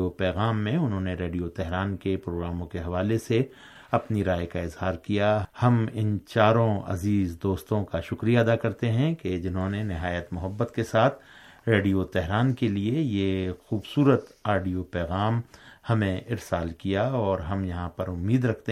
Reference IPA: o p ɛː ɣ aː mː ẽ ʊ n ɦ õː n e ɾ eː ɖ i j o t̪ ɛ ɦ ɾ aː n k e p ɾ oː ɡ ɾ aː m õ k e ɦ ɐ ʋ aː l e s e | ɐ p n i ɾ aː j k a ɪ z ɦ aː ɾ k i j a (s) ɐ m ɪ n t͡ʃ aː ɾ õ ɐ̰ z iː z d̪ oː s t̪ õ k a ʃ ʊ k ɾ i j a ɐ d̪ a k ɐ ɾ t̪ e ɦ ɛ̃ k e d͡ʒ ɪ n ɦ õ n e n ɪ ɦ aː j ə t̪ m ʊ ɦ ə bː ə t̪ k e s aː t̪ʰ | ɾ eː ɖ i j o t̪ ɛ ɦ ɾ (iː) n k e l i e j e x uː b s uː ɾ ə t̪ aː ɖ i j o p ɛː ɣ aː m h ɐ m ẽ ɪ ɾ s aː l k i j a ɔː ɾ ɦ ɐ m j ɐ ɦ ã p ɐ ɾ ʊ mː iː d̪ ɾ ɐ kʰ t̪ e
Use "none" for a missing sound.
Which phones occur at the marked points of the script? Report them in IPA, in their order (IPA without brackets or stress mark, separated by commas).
h, aː